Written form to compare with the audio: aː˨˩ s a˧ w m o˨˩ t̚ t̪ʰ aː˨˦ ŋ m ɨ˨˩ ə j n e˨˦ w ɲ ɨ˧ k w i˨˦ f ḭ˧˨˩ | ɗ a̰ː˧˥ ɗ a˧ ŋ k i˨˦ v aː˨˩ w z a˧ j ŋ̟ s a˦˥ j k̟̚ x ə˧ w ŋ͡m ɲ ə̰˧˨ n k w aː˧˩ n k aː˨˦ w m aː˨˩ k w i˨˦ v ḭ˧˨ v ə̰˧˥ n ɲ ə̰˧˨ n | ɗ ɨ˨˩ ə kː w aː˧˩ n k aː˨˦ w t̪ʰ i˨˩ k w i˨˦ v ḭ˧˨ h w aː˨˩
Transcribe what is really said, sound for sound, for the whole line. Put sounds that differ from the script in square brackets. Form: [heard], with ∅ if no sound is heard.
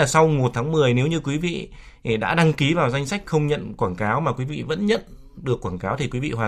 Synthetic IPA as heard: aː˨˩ s a˧ w m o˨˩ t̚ t̪ʰ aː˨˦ ŋ m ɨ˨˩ ə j n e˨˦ w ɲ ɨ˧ k w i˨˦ [v] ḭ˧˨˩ | ɗ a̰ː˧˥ ɗ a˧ ŋ k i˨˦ v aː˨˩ w z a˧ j ŋ̟ s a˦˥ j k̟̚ x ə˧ w ŋ͡m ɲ ə̰˧˨ n k w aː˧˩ n k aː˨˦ w m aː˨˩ k w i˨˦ v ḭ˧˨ v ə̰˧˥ n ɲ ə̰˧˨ n | ɗ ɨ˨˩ ə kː w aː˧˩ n k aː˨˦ w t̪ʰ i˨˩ k w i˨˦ v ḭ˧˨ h w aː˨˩